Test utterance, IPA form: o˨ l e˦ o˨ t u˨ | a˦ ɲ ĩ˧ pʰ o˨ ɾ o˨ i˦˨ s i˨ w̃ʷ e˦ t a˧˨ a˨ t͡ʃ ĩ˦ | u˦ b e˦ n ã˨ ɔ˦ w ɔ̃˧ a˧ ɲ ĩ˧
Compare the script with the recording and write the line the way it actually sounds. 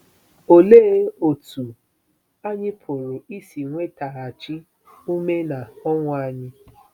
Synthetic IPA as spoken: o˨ l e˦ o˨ t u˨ | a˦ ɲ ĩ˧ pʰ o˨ ɾ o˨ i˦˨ s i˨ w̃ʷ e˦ t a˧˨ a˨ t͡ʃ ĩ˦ | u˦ m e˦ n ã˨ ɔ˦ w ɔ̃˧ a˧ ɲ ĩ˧

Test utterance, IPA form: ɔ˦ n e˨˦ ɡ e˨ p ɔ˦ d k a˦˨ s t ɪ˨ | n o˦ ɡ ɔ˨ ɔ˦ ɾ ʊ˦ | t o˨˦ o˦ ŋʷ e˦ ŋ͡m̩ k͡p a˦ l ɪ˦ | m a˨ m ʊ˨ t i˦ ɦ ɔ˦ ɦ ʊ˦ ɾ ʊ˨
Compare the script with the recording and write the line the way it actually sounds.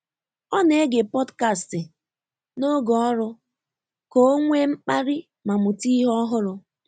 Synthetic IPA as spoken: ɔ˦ n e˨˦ ɡ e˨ p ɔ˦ d k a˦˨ s t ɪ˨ | n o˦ ɡ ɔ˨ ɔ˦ ɾ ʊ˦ | k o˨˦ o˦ ŋʷ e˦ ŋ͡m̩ k͡p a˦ ɾ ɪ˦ | m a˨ m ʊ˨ t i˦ ɦ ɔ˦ ɦ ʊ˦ ɾ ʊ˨

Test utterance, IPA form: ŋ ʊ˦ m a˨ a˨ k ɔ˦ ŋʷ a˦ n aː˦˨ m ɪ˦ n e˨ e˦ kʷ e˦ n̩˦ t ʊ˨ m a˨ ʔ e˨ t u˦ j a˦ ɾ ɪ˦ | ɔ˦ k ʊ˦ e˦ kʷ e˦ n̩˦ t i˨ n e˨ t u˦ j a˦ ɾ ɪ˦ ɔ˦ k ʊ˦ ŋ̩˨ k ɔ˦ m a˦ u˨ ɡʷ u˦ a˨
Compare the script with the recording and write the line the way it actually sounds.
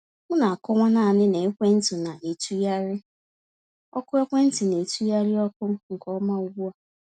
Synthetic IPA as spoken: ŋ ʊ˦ n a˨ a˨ k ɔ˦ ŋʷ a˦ n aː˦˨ n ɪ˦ n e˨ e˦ kʷ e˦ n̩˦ t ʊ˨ n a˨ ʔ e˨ t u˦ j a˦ ɾ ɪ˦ | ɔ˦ k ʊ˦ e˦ kʷ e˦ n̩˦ t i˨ n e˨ t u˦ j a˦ ɾ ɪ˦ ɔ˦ k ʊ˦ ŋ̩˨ k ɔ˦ m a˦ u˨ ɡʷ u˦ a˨

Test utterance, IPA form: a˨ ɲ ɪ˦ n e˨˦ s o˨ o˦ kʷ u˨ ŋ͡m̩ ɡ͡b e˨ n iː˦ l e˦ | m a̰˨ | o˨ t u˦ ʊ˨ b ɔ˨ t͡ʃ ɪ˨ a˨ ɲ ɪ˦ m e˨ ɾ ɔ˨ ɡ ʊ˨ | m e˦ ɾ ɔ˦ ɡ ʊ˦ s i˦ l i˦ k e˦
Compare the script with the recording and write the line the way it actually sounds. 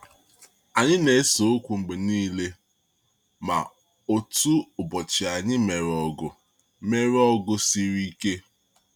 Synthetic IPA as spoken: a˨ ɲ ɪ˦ n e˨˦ s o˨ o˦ kʷ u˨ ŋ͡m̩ ɡ͡b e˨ n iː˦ l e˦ | m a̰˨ | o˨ t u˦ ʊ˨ b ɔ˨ t͡ʃ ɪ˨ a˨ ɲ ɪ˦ m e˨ ɾ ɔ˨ ɡ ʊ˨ | m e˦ ɾ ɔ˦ ɡ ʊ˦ s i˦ ɾ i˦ k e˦

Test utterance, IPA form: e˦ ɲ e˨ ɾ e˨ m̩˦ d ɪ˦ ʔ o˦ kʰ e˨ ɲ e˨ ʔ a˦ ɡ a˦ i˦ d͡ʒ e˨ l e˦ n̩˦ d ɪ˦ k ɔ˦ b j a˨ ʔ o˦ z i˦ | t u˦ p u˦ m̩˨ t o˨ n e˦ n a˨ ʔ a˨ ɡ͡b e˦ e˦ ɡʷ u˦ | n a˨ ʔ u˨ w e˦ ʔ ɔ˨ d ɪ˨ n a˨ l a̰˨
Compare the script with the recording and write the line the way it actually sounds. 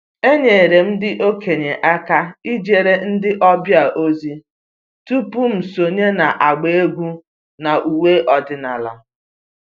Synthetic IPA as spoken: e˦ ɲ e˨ ɾ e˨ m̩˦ d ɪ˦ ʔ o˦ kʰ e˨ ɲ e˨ ʔ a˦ k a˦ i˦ d͡ʒ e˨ ɾ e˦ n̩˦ d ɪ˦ ʔ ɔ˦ b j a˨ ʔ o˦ z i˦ | t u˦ p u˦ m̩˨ s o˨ ɲ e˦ n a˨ ʔ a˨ ɡ͡b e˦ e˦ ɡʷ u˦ | n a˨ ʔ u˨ w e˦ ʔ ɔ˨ d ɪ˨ n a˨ l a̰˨

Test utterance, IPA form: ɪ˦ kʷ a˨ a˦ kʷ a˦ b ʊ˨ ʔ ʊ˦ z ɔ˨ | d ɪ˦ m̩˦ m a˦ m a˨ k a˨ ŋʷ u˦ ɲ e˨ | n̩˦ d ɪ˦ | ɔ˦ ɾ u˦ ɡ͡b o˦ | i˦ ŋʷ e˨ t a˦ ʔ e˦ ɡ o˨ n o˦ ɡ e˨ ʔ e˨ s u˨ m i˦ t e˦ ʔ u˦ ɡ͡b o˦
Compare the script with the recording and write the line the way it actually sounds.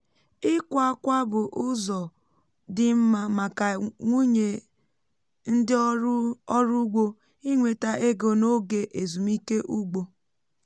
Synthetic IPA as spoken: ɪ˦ kʷ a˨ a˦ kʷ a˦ b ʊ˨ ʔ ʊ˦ z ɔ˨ | d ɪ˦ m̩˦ m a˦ m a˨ k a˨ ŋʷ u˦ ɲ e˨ | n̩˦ d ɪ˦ | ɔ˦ ɾ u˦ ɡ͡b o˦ | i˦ ŋʷ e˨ t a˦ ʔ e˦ ɡ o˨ n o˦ ɡ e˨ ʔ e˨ z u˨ m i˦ k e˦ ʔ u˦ ɡ͡b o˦

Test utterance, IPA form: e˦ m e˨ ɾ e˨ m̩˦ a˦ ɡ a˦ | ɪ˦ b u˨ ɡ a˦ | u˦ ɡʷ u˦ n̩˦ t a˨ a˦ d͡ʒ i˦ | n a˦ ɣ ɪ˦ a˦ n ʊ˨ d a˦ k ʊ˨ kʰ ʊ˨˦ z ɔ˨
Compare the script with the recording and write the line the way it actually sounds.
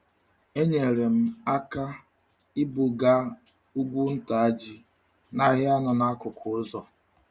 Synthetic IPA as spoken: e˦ ɲ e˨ ɾ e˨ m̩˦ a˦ k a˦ | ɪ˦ b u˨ ɡ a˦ | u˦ ɡʷ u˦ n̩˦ t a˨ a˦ d͡ʒ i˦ | n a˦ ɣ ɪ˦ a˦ n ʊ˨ n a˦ k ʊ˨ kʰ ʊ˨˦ z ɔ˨

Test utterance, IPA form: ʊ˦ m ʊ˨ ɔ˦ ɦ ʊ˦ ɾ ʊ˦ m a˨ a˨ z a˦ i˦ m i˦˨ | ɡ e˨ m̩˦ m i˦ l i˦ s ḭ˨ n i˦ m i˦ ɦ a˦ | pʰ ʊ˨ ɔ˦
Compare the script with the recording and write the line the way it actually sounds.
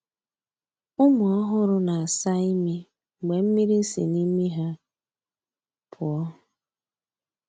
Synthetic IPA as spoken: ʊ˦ m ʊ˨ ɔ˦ ɦ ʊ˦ ɾ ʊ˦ n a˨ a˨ s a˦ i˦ m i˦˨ | ɡ͡b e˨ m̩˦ m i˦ ɾ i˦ s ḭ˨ n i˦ m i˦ ɦ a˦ | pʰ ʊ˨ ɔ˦

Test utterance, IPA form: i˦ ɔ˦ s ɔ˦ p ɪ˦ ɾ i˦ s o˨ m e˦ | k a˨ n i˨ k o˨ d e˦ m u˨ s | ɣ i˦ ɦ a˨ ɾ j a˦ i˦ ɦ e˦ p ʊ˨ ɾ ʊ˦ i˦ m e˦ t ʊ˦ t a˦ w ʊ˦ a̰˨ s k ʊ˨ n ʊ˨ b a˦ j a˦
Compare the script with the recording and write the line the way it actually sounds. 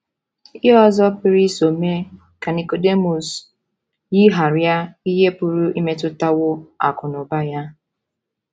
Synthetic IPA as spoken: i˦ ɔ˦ z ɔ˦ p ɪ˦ ɾ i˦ s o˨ m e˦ | k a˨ n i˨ k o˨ d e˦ m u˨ s | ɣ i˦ ɦ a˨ ɾ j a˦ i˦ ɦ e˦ p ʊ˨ ɾ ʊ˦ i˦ m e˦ t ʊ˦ t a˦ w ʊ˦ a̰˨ k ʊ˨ n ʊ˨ b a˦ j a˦

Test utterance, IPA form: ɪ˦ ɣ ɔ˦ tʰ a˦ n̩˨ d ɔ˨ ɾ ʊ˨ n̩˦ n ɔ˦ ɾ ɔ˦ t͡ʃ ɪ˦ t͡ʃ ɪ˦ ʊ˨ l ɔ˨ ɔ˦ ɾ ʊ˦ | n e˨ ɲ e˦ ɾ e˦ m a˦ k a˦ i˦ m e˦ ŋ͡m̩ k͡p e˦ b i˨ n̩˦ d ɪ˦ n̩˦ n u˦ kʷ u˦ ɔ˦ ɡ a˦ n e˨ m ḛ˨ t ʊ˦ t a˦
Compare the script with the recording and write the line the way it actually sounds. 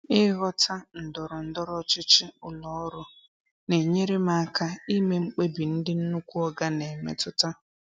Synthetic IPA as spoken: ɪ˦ ɣ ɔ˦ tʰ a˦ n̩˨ d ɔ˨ ɾ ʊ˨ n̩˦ d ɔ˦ ɾ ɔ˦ t͡ʃ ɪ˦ t͡ʃ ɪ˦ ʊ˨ l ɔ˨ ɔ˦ ɾ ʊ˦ | n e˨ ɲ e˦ ɾ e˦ m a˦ k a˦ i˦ m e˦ ŋ͡m̩ k͡p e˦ b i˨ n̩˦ d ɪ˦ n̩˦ n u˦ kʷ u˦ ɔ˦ ɡ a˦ n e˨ m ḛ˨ t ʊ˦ t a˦

